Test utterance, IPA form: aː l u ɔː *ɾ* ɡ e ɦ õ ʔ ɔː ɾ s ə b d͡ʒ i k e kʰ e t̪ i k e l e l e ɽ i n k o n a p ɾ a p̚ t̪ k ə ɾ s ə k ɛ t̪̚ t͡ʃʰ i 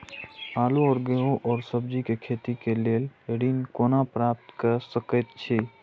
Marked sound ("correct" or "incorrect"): correct